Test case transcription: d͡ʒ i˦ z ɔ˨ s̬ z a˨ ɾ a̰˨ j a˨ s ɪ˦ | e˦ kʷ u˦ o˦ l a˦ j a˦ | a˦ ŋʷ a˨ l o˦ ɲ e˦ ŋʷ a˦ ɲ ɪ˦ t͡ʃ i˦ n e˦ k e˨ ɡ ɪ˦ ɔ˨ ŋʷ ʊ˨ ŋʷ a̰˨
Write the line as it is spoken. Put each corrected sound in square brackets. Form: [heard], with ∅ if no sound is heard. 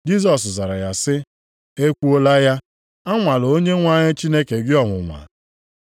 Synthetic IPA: d͡ʒ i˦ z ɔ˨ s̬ z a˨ ɾ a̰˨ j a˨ s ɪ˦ | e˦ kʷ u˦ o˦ l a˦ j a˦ | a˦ ŋʷ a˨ l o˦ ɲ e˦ ŋʷ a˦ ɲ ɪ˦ t͡ʃ i˦ n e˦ k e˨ ɡ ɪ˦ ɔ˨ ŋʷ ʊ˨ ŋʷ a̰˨